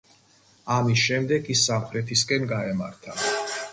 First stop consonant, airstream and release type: plain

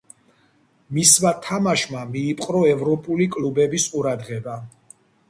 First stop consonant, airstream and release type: aspirated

